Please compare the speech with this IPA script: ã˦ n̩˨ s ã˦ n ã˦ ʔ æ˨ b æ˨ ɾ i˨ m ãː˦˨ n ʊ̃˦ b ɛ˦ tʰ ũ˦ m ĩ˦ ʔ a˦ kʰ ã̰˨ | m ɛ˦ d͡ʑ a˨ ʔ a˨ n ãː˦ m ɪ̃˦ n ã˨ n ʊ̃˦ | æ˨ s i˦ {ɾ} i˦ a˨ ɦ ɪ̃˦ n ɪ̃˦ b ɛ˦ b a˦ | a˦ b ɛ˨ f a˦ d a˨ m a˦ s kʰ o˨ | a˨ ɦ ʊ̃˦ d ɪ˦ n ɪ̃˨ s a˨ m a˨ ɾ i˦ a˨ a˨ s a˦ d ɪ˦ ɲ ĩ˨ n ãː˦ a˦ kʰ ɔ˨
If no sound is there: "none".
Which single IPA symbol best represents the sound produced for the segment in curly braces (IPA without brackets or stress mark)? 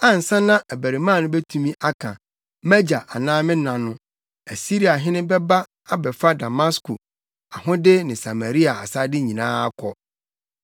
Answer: ɾ